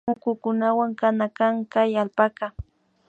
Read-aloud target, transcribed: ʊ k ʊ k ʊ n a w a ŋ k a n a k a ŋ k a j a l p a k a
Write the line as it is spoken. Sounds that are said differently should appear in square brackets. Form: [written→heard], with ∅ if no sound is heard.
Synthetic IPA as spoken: ʊ k ʊ k ʊ n a w a ŋ k a n a k a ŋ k a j a l p a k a